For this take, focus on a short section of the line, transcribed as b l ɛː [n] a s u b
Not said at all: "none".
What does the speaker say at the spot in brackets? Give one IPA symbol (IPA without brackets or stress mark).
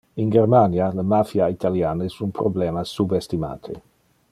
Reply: m